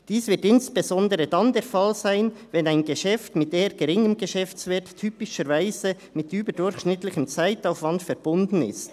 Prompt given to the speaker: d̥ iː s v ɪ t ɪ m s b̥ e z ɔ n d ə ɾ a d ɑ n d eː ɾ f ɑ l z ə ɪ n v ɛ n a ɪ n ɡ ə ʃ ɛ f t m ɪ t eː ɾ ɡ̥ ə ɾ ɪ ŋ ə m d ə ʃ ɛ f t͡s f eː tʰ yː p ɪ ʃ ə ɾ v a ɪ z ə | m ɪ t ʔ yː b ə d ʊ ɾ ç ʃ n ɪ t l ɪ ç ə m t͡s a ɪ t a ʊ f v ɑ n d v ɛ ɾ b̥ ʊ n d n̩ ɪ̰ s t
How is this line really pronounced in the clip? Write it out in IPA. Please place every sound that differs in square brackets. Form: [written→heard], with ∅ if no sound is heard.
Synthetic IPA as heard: d̥ iː s v ɪ t ɪ [m→n] s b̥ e z ɔ n d ə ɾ [a→ə] d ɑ n d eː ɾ f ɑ l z [ə→a] ɪ n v ɛ n a ɪ n ɡ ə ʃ ɛ f t m ɪ t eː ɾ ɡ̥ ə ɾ ɪ ŋ ə m [d→ɡ] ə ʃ ɛ f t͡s [f→v] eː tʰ yː p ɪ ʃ ə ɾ v a ɪ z ə | m ɪ t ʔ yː b ə d ʊ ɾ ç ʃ n ɪ t l ɪ ç ə m t͡s a ɪ t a ʊ f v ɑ n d [v→f] ɛ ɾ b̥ ʊ n d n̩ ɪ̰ s t